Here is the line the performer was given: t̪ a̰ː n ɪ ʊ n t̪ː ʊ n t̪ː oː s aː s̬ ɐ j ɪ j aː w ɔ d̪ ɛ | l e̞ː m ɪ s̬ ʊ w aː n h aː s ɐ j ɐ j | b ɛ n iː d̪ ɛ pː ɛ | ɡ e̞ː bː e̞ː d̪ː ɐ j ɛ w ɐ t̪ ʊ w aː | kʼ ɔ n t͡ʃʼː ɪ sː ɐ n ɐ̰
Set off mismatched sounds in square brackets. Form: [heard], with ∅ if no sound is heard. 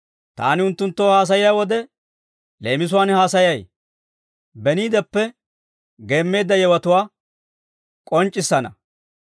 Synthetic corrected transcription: t̪ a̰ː n ɪ ʊ n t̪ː ʊ n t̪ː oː [h] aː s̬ ɐ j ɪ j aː w ɔ d̪ ɛ | l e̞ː m ɪ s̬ ʊ w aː n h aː s ɐ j ɐ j | b ɛ n iː d̪ ɛ pː ɛ | ɡ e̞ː [mː] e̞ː d̪ː ɐ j ɛ w ɐ t̪ ʊ w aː | kʼ ɔ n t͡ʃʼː ɪ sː ɐ n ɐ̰